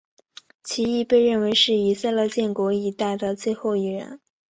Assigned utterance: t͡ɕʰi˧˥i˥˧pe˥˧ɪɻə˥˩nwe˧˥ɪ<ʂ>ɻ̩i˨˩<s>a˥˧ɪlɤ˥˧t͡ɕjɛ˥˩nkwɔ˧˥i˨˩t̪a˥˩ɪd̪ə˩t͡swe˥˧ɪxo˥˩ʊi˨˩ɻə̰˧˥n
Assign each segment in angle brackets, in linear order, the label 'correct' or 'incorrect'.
correct, correct

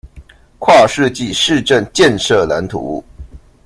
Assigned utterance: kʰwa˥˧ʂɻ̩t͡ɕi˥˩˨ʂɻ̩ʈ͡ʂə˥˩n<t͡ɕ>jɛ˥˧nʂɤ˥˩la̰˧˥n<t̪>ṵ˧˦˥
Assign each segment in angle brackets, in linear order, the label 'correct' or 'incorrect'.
correct, incorrect: t̪ʰ

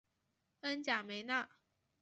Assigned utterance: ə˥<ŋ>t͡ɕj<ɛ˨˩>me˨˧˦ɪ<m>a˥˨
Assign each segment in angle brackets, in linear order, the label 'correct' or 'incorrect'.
incorrect: n, incorrect: a˨˩, incorrect: n

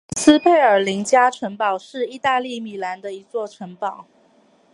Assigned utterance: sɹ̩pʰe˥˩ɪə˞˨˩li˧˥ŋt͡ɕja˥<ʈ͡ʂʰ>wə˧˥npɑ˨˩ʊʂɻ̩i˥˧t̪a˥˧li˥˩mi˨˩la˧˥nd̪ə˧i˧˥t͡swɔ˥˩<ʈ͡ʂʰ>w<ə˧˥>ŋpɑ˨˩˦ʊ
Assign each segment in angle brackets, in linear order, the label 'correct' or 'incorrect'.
correct, correct, correct

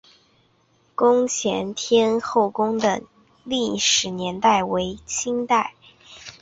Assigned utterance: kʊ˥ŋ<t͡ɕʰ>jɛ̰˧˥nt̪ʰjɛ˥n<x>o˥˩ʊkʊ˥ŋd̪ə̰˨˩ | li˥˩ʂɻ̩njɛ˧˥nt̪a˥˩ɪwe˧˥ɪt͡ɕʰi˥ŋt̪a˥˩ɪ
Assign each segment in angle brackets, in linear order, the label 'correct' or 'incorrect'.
correct, correct

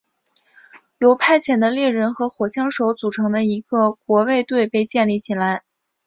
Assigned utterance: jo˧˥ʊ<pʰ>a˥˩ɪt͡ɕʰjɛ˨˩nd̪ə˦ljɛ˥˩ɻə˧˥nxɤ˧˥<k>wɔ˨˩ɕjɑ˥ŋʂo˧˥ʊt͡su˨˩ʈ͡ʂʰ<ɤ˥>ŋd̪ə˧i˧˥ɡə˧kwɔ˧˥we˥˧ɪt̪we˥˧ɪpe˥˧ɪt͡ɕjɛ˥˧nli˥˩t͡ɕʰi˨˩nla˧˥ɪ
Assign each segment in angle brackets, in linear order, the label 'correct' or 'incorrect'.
correct, incorrect: x, incorrect: ɤ˧˥

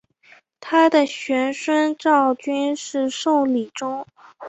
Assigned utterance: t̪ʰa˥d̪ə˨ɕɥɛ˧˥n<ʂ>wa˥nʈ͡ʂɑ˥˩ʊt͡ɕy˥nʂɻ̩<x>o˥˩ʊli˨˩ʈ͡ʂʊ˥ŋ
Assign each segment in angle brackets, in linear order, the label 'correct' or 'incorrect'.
correct, incorrect: ʂ

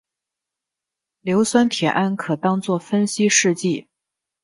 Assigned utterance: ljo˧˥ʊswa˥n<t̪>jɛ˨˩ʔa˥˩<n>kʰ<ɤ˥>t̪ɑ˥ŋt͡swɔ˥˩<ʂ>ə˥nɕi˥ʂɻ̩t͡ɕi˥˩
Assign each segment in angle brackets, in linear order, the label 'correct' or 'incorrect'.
incorrect: t̪ʰ, correct, incorrect: ɤ˨˩, incorrect: f

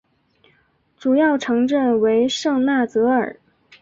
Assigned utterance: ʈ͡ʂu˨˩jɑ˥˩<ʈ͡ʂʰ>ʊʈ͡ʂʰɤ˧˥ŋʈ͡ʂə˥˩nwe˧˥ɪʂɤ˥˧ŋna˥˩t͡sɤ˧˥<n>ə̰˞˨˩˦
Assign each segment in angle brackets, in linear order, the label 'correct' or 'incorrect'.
incorrect: none, incorrect: none

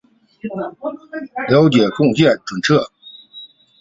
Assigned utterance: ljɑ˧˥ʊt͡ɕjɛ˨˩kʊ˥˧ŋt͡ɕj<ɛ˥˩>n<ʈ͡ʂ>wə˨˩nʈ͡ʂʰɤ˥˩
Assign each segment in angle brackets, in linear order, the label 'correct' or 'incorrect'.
correct, correct

